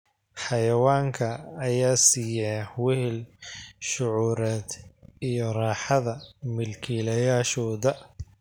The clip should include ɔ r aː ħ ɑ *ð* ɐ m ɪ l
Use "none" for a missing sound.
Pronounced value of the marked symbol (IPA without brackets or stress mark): ð